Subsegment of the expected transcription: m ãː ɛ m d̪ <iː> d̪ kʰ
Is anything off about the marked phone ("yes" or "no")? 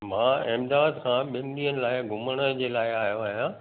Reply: yes